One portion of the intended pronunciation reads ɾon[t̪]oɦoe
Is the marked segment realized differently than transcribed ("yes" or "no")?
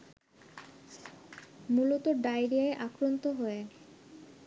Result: no